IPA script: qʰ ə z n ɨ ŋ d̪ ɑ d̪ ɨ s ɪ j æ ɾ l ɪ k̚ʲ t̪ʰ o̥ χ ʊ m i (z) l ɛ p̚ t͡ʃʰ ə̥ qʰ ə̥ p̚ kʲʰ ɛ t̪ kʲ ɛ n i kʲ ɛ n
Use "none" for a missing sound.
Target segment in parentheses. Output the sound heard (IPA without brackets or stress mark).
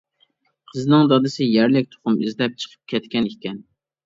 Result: z